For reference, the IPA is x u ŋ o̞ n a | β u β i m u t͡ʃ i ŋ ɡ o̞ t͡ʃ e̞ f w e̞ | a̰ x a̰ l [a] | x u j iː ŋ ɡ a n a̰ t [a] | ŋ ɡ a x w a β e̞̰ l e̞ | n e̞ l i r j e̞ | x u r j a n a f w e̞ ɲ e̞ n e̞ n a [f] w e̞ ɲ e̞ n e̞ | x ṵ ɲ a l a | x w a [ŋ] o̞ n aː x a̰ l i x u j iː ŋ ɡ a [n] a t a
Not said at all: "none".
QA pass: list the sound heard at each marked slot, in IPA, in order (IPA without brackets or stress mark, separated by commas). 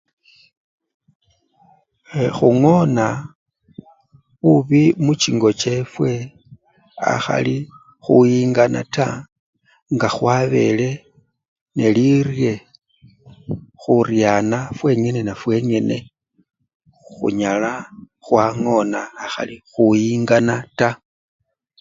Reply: i, a, f, ŋ, n